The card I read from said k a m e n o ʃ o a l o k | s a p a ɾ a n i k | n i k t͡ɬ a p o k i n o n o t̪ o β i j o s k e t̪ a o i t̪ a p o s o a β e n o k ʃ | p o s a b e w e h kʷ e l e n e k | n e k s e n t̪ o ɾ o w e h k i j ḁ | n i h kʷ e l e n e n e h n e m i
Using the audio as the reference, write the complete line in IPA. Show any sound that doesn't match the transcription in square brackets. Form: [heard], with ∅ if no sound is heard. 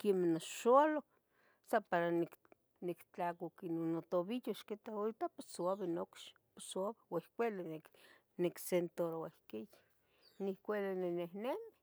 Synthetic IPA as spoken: k [e] m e n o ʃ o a l o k | s a p a ɾ a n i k | n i k t͡ɬ a [k] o k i n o n o t̪ o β i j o [ʃ] k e t̪ a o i t̪ a p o s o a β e n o k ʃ | p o s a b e w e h kʷ e l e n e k | n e k s e n t̪ o ɾ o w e h k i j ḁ | n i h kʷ e l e n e n e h n e m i